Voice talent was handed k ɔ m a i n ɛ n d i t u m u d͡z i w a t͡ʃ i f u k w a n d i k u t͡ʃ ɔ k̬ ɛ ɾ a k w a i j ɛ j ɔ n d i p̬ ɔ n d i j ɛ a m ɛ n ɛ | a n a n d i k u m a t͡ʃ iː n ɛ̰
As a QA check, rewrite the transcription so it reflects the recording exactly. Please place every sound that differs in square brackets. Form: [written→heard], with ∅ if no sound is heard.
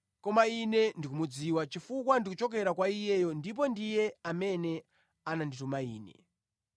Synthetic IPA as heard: k ɔ m a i n ɛ n d i [t→k] u m u d͡z i w a t͡ʃ i f u k w a n d i k u t͡ʃ ɔ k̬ ɛ ɾ a k w a i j ɛ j ɔ n d i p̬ ɔ n d i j ɛ a m ɛ n ɛ | a n a n d i [k→t] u m a [t͡ʃ→∅] iː n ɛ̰